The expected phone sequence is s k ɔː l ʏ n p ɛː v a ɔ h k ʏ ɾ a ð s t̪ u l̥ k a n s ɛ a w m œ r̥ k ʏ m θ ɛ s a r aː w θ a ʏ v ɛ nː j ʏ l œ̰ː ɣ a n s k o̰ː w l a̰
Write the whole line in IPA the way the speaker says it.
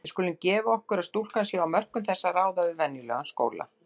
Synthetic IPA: s k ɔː l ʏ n c ɛː v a ɔ h k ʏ ɾ a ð s t̪ u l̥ k a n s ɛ a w m œ r̥ k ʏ m θ ɛ sː a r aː w ð a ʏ v ɛ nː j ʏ l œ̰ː ɣ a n s k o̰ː w l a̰